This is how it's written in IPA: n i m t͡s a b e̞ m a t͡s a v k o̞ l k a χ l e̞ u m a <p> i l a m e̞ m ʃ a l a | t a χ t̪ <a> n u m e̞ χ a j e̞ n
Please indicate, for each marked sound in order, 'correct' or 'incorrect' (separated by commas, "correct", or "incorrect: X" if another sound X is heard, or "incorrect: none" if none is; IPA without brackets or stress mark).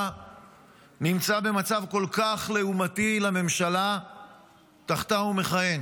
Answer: incorrect: t, correct